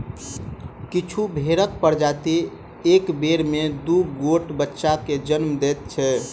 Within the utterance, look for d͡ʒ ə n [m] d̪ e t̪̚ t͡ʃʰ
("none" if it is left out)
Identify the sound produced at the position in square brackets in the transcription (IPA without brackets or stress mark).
m